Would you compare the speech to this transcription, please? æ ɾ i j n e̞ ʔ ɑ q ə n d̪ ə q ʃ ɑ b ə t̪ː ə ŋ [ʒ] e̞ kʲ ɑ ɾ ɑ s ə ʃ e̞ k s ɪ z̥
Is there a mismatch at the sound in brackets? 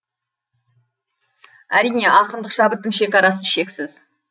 yes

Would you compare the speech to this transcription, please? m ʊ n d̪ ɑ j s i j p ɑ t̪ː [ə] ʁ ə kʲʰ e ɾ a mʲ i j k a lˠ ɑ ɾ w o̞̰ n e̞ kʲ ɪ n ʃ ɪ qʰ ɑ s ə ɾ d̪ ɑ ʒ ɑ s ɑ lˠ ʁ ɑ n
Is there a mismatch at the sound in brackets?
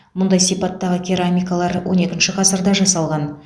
yes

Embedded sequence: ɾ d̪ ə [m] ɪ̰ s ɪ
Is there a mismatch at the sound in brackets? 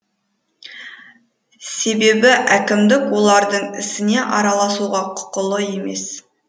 yes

